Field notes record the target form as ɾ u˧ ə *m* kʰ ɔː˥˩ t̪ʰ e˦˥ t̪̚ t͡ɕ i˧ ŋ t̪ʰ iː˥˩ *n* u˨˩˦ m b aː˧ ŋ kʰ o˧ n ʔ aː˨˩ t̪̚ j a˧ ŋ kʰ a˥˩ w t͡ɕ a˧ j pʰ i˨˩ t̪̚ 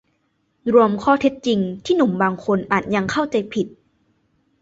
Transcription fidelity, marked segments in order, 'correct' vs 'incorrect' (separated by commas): correct, correct